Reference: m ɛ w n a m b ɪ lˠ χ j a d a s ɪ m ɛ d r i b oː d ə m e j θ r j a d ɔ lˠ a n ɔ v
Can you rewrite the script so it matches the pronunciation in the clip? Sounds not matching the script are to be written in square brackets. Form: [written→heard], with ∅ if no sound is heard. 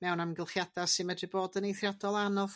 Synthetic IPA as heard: m ɛ w n a m [b→ɡ] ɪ lˠ χ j a d a s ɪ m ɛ d r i b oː d ə [m→n] e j θ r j a d ɔ lˠ a n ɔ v